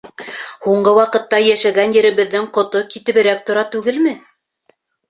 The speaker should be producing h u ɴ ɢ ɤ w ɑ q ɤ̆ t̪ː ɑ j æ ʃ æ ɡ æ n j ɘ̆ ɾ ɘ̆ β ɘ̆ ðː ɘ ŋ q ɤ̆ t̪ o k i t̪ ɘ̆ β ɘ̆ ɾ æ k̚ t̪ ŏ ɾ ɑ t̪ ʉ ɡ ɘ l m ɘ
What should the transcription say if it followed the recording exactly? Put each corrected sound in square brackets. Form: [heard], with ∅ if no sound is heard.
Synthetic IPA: h u ɴ ɢ ɤ w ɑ q ɤ̆ t̪ː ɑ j æ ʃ æ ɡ æ n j ɘ̆ ɾ ɘ̆ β ɘ̆ ðː ɘ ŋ q [ŏ] t̪ o k i t̪ ɘ̆ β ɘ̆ ɾ æ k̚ t̪ ŏ ɾ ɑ t̪ ʉ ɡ ɘ l m ɘ